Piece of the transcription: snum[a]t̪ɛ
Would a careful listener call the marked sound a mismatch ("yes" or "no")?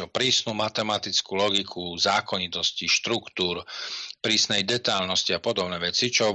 no